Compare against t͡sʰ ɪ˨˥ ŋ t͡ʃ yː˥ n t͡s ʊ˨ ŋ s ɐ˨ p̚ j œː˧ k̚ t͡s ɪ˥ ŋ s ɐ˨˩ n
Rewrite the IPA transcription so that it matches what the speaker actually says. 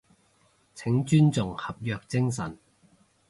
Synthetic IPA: t͡sʰ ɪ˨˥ ŋ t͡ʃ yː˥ n t͡s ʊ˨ ŋ h ɐ˨ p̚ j œː˧ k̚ t͡s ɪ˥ ŋ s ɐ˨˩ n